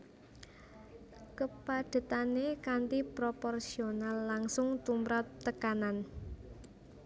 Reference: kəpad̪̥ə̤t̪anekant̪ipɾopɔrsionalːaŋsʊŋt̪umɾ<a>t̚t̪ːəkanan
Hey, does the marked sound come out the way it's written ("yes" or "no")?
yes